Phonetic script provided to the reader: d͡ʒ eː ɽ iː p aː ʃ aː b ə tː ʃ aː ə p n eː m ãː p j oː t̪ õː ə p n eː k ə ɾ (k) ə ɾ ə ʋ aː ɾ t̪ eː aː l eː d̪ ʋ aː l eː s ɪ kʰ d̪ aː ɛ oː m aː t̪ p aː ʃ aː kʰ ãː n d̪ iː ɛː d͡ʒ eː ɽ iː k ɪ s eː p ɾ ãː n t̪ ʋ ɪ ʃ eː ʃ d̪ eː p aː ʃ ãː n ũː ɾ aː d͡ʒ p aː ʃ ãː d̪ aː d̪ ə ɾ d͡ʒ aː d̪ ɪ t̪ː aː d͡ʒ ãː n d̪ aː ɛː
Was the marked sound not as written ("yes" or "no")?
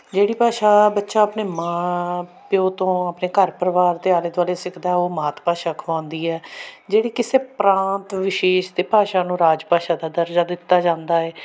yes